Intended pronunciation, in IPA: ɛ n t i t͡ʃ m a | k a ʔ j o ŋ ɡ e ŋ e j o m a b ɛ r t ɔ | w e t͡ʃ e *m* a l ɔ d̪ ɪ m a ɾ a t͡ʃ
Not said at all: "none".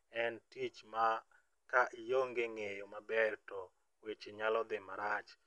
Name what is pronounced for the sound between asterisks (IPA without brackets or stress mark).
ɲ